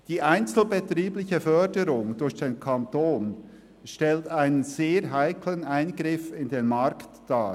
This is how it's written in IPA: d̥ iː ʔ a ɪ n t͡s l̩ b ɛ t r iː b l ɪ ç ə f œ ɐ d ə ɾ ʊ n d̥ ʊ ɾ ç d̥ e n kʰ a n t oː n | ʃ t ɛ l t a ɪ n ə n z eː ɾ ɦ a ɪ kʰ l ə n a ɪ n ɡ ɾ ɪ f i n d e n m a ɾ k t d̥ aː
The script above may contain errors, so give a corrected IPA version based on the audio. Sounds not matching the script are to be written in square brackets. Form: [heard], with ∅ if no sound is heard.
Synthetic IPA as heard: d̥ iː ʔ a ɪ n t͡s l̩ b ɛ t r iː b l ɪ ç ə f œ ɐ d ə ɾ ʊ [ŋ] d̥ ʊ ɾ ç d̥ e n kʰ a n t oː n | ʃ t ɛ l t a ɪ n ə n z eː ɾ ɦ a ɪ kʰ l ə n a ɪ n ɡ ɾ ɪ f [ɪ] n d e n m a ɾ k t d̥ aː